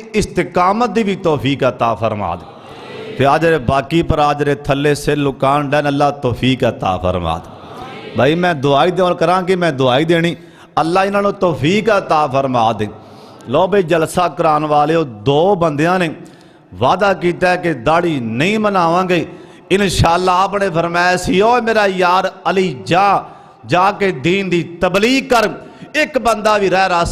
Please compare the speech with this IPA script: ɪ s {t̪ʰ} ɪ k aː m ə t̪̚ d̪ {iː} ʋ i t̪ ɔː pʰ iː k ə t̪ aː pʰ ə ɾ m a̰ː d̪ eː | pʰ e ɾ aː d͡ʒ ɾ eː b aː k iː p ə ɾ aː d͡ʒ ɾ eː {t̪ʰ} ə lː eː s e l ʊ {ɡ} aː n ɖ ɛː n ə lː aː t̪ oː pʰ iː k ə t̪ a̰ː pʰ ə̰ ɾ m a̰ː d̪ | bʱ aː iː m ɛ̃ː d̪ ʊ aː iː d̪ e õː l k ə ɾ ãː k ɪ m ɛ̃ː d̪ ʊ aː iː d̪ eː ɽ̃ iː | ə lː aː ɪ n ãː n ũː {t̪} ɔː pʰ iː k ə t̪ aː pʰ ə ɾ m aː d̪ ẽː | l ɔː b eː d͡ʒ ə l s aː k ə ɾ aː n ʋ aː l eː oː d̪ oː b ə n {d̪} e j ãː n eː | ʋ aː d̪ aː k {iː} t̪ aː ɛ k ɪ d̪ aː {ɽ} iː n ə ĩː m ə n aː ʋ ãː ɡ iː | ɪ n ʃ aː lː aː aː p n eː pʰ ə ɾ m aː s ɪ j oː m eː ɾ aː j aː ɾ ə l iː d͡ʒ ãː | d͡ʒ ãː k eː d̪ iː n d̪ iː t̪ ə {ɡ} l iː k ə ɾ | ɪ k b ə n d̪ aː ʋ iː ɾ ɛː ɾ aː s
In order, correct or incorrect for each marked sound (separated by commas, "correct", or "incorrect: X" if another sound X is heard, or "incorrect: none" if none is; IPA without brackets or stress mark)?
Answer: incorrect: t̪, correct, correct, incorrect: k, correct, correct, correct, correct, incorrect: b